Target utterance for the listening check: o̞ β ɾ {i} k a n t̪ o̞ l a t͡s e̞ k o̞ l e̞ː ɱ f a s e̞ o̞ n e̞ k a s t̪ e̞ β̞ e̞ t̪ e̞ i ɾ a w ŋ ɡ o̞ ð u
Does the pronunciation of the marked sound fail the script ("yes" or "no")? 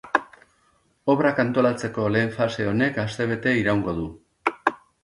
yes